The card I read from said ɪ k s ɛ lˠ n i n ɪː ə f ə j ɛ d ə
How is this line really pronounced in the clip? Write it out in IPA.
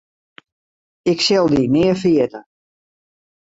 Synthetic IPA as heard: ɪ k s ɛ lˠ d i n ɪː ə f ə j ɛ t ə